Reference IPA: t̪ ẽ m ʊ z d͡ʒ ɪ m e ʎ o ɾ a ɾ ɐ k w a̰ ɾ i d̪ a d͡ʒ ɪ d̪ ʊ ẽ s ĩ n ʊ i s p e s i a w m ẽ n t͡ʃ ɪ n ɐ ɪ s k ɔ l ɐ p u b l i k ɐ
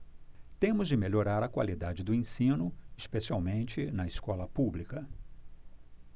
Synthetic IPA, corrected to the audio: t̪ ẽ m ʊ z d͡ʒ ɪ m e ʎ o ɾ a ɾ ɐ k w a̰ l i d̪ a d͡ʒ ɪ d̪ ʊ ẽ s ĩ n ʊ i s p e s i a w m ẽ n t͡ʃ ɪ n ɐ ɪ s k ɔ l ɐ p u b l i k ɐ